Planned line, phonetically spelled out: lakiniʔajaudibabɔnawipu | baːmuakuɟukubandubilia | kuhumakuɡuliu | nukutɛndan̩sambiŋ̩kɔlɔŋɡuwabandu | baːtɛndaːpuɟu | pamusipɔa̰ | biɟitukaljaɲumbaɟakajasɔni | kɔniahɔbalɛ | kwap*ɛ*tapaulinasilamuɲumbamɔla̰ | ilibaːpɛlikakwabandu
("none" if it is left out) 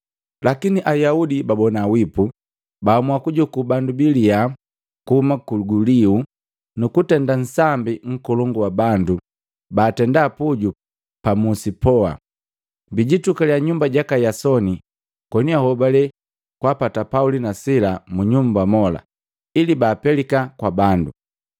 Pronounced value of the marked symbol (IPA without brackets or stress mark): a